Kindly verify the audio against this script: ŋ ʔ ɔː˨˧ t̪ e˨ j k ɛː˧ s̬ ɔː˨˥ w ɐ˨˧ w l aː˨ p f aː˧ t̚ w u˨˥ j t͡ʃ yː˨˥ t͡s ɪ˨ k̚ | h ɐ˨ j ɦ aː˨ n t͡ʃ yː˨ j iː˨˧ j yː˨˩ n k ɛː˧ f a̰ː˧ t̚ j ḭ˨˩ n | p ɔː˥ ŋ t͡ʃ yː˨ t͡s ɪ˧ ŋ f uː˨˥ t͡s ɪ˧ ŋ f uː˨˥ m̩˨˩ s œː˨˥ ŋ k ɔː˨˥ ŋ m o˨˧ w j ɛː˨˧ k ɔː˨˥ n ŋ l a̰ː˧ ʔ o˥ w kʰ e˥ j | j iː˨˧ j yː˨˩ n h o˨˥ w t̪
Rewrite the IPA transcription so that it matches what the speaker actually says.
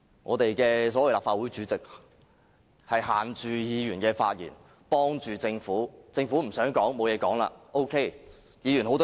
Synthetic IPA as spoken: ŋ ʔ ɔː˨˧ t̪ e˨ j k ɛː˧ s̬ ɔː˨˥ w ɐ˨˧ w l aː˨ p f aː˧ t̚ w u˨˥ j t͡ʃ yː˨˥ t͡s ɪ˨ k̚ | h ɐ˨ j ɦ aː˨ n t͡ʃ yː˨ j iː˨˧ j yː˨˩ n k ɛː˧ f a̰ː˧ t̚ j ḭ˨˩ n | p ɔː˥ ŋ t͡ʃ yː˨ t͡s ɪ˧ ŋ f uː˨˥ t͡s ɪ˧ ŋ f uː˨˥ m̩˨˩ s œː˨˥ ŋ k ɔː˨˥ ŋ m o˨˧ w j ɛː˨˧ k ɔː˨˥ ŋ l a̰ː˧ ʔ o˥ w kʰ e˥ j | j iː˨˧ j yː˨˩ n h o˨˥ w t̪

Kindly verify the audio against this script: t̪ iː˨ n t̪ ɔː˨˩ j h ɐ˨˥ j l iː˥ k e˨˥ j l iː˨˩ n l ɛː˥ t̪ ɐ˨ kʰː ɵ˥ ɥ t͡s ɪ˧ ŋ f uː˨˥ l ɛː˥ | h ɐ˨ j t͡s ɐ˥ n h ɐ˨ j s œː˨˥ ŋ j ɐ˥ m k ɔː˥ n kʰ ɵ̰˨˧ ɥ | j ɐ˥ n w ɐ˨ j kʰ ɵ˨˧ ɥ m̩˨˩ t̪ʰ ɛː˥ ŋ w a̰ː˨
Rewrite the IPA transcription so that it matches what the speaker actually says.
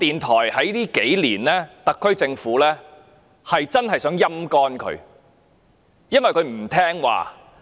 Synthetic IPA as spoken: t̪ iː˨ n t̪ʰ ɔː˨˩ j h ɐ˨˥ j l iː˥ k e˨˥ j l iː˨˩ n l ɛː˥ t̪ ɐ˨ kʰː ɵ˥ ɥ t͡s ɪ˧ ŋ f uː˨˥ l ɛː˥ | h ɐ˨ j t͡s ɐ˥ n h ɐ˨ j s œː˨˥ ŋ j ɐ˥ m k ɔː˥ n kʰ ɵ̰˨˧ ɥ | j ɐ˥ n w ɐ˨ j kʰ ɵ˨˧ ɥ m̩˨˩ t̪ʰ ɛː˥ ŋ w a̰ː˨

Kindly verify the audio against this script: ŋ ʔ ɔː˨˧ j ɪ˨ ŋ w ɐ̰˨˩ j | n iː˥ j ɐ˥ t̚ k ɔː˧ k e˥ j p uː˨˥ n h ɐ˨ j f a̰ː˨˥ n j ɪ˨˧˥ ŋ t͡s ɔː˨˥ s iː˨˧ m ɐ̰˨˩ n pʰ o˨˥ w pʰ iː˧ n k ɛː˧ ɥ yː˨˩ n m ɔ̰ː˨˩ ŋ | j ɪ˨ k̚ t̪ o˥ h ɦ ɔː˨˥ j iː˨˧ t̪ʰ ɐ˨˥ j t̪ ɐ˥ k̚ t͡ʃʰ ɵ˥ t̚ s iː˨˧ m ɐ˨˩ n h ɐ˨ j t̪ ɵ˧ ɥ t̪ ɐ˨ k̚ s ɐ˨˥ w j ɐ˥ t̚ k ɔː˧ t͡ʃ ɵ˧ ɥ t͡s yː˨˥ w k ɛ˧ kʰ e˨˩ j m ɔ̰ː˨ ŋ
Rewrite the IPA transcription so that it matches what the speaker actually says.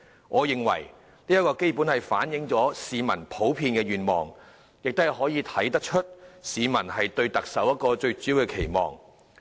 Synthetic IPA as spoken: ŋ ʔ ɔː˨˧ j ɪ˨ ŋ w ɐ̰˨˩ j | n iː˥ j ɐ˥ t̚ k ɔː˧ k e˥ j p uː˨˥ n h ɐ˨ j f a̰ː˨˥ n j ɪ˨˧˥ ŋ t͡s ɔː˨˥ s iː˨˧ m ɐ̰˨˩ n pʰ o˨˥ w pʰ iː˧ n k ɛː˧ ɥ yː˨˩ n m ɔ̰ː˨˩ ŋ | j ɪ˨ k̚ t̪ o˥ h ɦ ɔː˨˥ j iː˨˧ t̪ʰ ɐ˨˥ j t̪ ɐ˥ k̚ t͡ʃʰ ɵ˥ t̚ s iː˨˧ m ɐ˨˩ n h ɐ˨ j t̪ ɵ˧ ɥ t̪ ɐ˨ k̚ s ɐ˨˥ w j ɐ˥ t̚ k ɔː˧ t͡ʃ ɵ˧ ɥ t͡s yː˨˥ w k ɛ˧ kʰ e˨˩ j m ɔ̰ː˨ ŋ

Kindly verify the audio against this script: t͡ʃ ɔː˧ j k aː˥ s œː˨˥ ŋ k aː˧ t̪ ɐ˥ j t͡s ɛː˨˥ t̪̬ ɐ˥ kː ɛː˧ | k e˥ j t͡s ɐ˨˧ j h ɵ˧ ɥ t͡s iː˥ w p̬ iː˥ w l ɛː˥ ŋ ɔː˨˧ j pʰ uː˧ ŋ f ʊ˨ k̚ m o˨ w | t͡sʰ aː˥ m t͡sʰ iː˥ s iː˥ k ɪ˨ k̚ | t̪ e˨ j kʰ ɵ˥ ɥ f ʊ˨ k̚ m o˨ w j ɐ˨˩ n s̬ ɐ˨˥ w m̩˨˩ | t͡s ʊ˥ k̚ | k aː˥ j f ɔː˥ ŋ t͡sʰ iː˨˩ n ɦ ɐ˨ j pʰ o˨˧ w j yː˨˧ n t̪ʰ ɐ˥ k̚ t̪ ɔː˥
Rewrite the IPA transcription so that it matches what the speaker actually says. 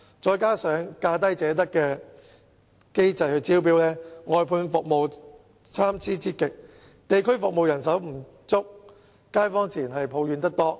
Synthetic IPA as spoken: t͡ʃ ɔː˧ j k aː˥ s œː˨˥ ŋ k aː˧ t̪ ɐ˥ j t͡s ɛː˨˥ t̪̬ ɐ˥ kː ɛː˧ | k e˥ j t͡s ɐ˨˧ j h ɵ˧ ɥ t͡s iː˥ w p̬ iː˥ w l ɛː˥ ŋ ɔː˨˧ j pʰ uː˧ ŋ f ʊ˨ k̚ m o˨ w | t͡sʰ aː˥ m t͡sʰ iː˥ t͡s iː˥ k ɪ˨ k̚ | t̪ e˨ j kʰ ɵ˥ ɥ f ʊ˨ k̚ m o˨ w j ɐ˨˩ n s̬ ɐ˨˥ w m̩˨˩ | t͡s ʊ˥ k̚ | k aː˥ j f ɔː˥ ŋ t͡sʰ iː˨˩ n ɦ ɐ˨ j pʰ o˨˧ w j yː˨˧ n t̪ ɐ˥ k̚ t̪ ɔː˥

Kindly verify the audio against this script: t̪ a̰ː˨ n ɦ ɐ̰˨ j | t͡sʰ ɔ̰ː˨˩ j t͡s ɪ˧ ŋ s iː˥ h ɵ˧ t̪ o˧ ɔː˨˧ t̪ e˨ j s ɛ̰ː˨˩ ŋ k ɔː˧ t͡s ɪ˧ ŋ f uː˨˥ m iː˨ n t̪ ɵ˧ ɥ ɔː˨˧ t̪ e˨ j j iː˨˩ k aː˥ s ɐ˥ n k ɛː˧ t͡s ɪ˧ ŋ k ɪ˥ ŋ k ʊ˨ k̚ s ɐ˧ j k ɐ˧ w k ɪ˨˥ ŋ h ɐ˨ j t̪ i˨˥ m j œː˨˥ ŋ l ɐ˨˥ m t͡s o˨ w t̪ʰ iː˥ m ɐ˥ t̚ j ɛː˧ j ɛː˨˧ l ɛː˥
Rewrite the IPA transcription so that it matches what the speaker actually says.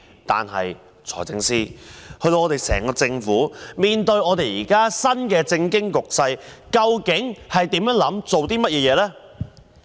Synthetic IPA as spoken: t̪ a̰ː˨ n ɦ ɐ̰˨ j | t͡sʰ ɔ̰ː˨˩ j t͡s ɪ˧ ŋ s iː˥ h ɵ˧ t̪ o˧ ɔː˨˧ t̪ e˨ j s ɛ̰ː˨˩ ŋ k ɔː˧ t͡s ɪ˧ ŋ f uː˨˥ m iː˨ n t̪ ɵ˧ ɥ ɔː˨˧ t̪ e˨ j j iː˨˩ k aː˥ s ɐ˥ n k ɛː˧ t͡s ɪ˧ ŋ k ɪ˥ ŋ k ʊ˨ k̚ s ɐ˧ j k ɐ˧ w k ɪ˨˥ ŋ h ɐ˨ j t̪ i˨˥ m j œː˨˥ ŋ l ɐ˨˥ m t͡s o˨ w t̪ iː˥ m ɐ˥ t̚ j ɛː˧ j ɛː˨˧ l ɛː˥

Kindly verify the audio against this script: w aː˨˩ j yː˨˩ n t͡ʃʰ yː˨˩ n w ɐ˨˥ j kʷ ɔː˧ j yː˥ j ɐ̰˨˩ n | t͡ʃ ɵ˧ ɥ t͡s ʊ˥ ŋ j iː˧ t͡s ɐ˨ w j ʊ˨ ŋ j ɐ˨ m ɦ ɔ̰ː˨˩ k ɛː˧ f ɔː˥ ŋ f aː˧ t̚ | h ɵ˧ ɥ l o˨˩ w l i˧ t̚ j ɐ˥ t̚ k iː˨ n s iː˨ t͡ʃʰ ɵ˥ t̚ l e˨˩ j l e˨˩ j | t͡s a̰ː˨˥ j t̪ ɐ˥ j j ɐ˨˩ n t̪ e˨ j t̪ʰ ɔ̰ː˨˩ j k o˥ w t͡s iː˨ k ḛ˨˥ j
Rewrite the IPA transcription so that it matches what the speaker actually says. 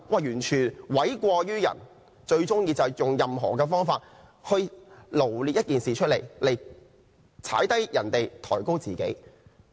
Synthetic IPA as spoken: w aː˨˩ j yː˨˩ n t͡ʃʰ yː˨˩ n w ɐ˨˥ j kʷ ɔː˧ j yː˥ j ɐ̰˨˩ n | t͡ʃ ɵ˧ ɥ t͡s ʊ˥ ŋ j iː˧ t͡s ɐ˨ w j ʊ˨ ŋ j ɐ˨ m ɦ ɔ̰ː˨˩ k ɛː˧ f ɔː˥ ŋ f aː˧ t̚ | h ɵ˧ ɥ l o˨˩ w l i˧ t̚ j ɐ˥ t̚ k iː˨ n s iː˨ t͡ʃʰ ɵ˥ t̚ l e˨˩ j l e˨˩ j | t͡sʰ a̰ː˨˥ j t̪ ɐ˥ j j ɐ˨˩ n t̪ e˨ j t̪ʰ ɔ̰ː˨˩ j k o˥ w t͡s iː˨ k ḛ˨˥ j

